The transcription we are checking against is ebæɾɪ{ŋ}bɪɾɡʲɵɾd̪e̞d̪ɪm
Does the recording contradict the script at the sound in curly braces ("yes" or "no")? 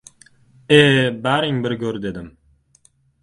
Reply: no